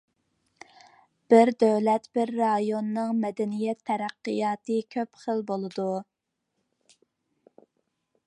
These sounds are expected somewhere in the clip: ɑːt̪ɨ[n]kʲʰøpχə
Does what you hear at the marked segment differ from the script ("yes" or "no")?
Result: yes